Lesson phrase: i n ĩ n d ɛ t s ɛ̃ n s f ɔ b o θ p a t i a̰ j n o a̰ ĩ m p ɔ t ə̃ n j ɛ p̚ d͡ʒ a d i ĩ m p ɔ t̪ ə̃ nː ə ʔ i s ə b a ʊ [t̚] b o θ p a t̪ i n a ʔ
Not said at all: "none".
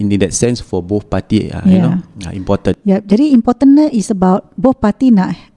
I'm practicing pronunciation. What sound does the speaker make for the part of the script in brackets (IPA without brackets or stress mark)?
t̚